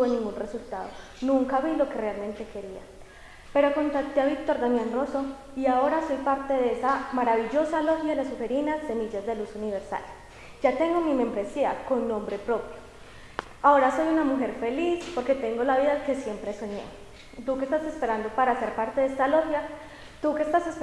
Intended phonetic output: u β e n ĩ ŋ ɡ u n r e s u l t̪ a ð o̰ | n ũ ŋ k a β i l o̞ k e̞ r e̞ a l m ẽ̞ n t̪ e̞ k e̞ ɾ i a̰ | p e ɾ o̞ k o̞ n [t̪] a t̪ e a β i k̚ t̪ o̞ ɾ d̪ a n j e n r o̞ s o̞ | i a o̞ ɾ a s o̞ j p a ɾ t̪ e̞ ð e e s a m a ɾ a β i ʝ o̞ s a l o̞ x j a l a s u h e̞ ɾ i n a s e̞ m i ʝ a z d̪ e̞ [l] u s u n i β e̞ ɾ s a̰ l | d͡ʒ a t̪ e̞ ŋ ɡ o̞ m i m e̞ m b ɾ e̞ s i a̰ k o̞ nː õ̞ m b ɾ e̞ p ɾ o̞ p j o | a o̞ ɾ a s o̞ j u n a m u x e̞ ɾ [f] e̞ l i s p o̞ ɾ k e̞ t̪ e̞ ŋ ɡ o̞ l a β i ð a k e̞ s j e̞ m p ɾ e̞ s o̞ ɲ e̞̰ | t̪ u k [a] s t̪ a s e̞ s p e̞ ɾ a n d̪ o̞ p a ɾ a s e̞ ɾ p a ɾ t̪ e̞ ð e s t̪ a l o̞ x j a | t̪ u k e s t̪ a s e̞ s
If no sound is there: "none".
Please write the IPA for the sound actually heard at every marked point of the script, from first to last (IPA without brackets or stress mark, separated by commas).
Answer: t̪, l, f, e